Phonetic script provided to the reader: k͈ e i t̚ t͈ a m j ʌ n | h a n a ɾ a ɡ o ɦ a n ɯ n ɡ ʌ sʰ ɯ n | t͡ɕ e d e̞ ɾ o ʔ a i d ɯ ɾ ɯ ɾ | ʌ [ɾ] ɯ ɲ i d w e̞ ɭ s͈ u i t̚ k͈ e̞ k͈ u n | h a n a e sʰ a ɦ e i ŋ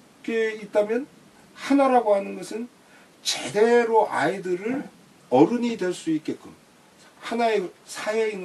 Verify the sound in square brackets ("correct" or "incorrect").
correct